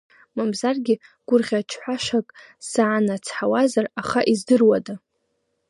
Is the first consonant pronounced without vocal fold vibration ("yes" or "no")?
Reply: no